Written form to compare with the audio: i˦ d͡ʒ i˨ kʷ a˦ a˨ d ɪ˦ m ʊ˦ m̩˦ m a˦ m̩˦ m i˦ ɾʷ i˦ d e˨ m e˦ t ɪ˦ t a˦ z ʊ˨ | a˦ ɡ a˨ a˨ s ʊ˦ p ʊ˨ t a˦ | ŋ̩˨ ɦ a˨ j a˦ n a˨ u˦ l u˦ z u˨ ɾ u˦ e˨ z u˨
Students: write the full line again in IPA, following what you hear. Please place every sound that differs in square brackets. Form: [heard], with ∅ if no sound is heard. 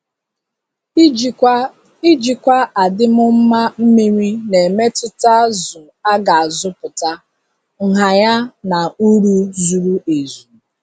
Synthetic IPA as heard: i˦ d͡ʒ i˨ kʷ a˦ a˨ d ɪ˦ m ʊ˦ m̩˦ m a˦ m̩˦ m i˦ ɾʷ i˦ [n] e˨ m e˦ t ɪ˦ t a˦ z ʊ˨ | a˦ ɡ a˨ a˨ [z] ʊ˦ p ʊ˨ t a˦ | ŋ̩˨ ɦ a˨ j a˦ n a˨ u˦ [ɾ] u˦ z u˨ ɾ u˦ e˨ z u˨